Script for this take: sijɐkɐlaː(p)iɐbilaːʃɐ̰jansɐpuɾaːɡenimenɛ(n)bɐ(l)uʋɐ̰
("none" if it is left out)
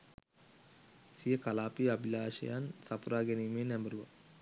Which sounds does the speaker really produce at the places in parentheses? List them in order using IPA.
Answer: p, m, ɾ

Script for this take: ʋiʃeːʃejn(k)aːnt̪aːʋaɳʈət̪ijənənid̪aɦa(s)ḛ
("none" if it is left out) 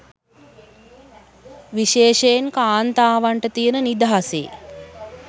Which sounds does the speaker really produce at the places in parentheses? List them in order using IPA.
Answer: k, s

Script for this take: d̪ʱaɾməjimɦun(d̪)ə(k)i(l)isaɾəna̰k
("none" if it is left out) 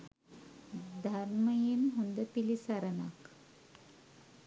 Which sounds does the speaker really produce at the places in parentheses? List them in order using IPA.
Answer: d̪, p, l

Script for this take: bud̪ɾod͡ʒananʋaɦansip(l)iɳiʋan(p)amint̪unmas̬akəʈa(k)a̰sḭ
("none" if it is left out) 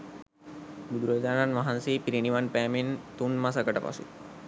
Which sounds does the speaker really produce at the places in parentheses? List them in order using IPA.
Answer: ɾ, p, p

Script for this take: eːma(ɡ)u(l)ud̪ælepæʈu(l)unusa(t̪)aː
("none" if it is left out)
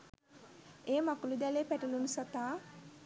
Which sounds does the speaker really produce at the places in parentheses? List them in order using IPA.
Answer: k, l, l, t̪

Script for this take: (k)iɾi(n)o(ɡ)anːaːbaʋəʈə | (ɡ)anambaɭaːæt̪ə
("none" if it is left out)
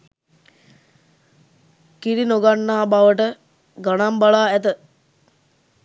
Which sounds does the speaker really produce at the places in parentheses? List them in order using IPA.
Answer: k, n, ɡ, ɡ

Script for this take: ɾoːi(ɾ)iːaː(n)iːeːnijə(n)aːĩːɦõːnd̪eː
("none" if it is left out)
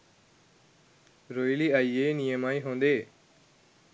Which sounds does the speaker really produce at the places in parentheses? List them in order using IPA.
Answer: l, none, m

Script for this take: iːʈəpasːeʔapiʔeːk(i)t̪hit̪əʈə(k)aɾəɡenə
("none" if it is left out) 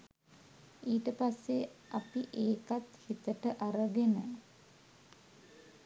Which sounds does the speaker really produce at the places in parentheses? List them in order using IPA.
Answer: a, ʔ

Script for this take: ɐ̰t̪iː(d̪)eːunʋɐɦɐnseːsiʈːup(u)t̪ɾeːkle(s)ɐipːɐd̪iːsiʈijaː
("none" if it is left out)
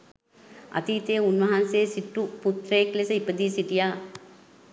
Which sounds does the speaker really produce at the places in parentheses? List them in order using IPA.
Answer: t̪, u, s

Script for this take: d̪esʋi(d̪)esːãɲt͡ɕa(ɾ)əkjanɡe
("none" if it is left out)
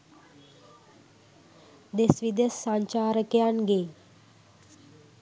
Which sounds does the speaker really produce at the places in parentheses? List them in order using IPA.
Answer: d̪, ɾ

